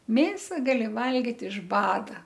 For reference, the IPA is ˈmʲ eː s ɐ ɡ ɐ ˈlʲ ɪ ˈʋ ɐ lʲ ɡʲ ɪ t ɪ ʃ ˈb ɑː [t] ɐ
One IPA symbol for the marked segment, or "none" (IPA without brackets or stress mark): d